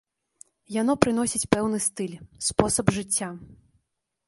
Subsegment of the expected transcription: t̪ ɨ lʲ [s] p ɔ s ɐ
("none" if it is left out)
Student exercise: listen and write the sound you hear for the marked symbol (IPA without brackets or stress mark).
s